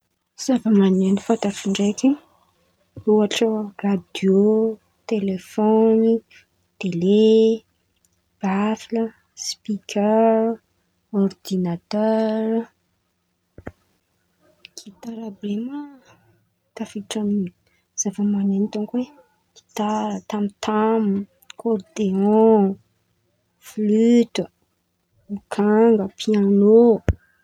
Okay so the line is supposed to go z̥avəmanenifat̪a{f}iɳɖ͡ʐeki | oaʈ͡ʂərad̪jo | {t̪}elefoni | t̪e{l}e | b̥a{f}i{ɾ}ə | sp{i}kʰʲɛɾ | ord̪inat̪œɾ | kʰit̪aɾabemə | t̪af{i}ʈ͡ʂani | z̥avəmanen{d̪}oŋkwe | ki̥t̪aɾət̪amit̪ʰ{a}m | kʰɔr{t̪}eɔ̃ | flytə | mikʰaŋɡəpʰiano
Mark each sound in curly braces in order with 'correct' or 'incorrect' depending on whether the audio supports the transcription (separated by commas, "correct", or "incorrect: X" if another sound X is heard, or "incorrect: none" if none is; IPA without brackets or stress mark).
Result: correct, correct, correct, correct, incorrect: l, correct, correct, incorrect: t̪, correct, incorrect: d̪